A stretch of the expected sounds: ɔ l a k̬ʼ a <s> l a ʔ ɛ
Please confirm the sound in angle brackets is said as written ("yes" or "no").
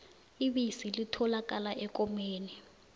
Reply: no